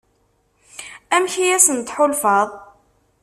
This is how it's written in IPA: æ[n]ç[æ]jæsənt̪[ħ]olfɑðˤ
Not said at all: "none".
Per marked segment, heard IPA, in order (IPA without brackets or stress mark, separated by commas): m, i, ħ